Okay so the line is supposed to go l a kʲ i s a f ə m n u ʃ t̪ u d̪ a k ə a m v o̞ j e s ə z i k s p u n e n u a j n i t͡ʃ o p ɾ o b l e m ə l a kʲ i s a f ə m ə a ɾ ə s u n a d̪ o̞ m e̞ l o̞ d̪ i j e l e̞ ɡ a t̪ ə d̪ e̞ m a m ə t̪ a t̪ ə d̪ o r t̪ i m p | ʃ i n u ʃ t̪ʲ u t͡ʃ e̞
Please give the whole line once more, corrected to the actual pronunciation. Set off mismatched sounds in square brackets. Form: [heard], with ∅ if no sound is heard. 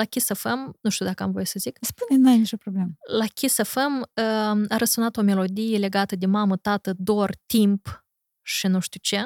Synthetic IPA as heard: l a kʲ i s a f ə m n u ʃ t̪ u d̪ a k ə a m v o̞ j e s ə z i k s p u n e n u a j n i t͡ʃ o p ɾ o b l e m ə l a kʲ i s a f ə m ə a ɾ ə s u n a [t̪] o̞ m e̞ l o̞ d̪ i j e l e̞ ɡ a t̪ ə d̪ e̞ m a m ə t̪ a t̪ ə d̪ o r t̪ i m p | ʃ i n u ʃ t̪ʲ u t͡ʃ e̞